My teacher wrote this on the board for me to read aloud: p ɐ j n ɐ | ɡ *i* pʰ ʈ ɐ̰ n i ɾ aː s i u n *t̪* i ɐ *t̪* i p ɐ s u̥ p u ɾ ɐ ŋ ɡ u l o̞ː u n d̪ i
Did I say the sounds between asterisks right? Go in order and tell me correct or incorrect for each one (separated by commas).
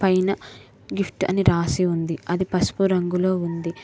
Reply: correct, incorrect, incorrect